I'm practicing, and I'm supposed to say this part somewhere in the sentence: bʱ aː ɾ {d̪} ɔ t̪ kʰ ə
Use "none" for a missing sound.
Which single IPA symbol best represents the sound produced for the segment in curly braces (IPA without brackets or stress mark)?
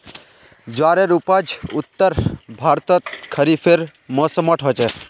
t̪